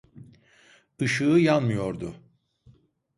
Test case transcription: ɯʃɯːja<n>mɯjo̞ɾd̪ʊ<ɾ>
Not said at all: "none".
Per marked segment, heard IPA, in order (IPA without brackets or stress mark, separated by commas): n, none